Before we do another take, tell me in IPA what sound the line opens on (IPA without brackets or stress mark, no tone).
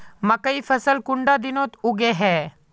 m